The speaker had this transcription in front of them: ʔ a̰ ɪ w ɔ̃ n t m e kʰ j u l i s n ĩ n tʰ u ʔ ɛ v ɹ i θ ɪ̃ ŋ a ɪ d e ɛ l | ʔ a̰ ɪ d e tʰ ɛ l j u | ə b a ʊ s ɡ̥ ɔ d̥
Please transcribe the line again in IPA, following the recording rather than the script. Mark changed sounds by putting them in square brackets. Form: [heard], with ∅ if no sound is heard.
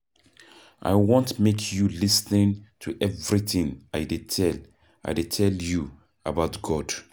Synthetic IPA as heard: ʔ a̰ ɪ w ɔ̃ n t m e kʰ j u l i s n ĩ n tʰ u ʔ ɛ v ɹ i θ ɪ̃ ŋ a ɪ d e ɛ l | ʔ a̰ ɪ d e tʰ ɛ l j u | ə b a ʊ [t] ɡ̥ ɔ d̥